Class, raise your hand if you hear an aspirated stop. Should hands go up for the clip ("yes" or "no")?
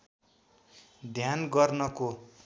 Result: no